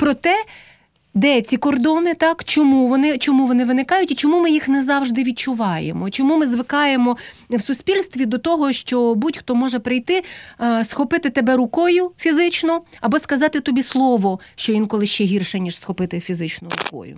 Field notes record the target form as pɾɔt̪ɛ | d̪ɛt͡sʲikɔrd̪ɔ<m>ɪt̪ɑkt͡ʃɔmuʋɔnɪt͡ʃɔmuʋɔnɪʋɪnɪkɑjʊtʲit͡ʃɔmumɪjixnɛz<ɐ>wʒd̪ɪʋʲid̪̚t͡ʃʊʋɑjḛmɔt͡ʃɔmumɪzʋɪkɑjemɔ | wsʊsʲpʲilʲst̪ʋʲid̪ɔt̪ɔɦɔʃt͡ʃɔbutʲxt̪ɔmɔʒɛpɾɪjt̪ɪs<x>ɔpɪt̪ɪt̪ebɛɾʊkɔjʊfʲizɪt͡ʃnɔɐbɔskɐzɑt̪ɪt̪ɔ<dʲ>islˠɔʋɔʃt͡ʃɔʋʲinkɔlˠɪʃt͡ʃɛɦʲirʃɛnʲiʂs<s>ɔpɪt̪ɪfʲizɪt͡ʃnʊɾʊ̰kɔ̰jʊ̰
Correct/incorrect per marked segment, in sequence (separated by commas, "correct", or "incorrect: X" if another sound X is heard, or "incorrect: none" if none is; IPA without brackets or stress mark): incorrect: n, incorrect: ɑ, correct, incorrect: bʲ, incorrect: x